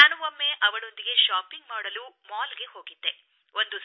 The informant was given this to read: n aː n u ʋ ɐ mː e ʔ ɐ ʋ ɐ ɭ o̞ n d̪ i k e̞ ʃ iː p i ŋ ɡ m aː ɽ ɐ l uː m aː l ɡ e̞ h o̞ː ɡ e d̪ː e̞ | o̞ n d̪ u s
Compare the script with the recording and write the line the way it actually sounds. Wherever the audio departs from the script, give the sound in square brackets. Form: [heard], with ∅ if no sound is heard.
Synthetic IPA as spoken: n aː n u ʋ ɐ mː e ʔ ɐ ʋ ɐ ɭ o̞ n d̪ i [ɡ] e̞ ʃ [aː] p i ŋ ɡ m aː ɽ ɐ l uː m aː l ɡ e̞ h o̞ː ɡ [i] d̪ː e̞ | o̞ n d̪ u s